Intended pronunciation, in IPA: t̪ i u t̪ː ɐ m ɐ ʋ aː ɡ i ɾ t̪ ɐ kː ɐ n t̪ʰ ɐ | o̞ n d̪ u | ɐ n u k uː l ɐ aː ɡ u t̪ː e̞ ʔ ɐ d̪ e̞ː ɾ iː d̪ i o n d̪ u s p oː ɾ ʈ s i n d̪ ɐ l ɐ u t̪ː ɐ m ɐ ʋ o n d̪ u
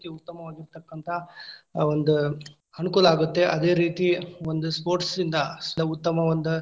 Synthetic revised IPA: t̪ i u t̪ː ɐ m ɐ ʋ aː ɡ i ɾ t̪ ɐ kː ɐ n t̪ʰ ɐ | o̞ n d̪ u | ɐ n u k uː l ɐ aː ɡ u t̪ː e̞ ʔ ɐ d̪ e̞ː ɾ iː t̪ i o n d̪ u s p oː ɾ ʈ s i n d̪ ɐ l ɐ u t̪ː ɐ m ɐ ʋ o n d̪ u